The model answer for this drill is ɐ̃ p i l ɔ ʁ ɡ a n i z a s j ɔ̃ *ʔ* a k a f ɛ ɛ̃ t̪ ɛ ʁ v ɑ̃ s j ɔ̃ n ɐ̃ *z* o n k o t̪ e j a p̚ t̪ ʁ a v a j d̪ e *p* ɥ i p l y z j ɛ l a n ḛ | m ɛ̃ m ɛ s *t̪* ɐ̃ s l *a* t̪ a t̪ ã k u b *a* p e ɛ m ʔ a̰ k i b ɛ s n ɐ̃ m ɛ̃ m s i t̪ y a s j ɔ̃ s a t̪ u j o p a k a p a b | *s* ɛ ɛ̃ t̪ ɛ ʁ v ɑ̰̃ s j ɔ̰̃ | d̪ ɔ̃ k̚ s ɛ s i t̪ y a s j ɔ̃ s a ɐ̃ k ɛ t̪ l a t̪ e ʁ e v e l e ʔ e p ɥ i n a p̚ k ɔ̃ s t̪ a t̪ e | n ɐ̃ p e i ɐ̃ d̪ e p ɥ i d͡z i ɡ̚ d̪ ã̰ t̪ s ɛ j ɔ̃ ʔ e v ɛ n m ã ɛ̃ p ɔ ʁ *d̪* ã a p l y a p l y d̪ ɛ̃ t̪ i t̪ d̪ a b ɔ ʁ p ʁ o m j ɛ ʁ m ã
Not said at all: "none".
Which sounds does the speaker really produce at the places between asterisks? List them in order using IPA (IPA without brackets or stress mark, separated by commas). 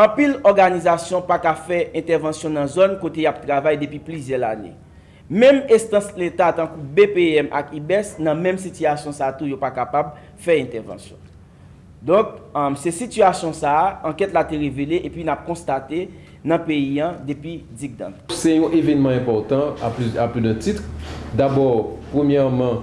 p, z, p, t̪, e, e, f, t̪